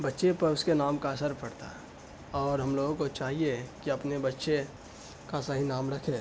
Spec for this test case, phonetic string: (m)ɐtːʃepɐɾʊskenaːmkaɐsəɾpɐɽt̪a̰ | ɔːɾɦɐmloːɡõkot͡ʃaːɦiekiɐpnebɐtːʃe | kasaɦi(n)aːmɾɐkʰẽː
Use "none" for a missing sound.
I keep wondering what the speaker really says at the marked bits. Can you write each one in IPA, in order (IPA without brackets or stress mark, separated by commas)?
b, n